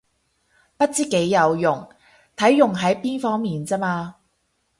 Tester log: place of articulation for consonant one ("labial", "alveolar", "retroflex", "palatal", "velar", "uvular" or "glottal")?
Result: labial